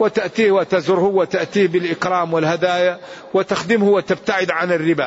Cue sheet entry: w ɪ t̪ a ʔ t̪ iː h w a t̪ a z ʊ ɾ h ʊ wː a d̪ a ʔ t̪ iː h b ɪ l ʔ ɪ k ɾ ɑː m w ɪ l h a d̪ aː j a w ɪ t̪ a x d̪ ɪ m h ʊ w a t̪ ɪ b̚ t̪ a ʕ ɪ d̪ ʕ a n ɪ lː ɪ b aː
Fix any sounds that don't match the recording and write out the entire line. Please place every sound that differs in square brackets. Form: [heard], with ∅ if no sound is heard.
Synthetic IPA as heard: w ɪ t̪ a ʔ t̪ iː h w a t̪ a z ʊ ɾ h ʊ wː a [t̪] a ʔ t̪ iː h b ɪ l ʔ ɪ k ɾ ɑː m w ɪ l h a d̪ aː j a w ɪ t̪ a x d̪ ɪ m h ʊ w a t̪ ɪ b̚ t̪ a ʕ ɪ d̪ ʕ a n ɪ [rː] ɪ b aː